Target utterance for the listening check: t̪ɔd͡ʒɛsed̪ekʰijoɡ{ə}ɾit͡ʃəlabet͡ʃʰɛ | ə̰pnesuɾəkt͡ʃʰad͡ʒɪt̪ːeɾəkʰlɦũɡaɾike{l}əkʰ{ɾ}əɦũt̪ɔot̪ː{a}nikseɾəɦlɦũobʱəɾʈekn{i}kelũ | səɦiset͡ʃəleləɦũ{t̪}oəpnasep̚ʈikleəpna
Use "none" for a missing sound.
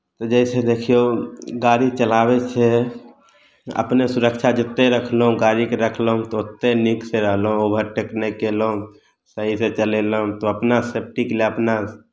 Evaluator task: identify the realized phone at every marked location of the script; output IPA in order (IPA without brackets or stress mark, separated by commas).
a, ɾ, l, e, e, t̪